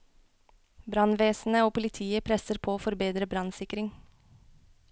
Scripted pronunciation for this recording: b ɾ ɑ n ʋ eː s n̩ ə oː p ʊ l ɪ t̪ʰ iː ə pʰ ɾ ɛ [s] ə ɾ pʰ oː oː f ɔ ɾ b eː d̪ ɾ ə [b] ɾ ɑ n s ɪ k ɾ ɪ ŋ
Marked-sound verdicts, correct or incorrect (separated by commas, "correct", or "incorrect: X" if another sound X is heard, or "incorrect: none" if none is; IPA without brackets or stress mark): correct, correct